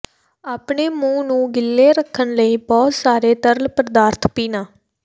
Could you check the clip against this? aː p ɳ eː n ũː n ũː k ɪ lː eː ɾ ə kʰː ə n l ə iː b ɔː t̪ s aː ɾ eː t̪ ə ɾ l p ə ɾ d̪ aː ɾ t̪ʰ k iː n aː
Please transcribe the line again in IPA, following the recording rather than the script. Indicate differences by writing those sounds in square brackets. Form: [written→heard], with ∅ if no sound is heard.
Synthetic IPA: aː p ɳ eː [n→m] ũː n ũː [k→ɡ] ɪ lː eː ɾ ə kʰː ə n l ə iː b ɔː t̪ s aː ɾ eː t̪ ə ɾ l p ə ɾ d̪ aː ɾ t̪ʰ [k→p] iː n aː